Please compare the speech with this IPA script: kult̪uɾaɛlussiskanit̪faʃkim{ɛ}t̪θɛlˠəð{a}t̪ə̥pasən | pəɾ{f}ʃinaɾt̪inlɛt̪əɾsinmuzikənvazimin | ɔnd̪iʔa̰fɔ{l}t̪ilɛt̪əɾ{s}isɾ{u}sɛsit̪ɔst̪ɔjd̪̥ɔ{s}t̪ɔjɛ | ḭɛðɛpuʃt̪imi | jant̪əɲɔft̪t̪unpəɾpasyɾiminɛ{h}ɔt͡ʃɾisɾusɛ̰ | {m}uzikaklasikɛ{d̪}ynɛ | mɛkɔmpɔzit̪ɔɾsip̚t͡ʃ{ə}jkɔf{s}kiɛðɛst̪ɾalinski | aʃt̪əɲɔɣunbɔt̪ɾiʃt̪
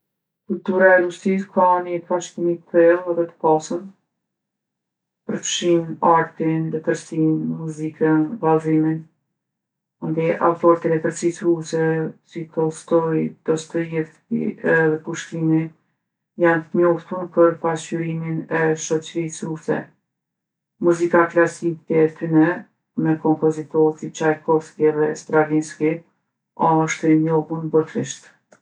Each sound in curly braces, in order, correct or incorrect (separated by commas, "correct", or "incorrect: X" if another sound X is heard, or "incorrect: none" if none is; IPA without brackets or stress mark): incorrect: i, incorrect: ɛ, correct, incorrect: ɾ, correct, correct, correct, incorrect: ʃ, correct, incorrect: t̪, incorrect: a, correct